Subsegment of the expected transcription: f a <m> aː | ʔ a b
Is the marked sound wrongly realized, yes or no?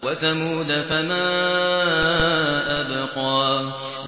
no